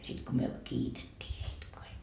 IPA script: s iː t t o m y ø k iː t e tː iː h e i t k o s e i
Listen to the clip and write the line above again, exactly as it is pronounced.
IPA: s i t k o m y ø k iː t e tː iː h e i t k o h e i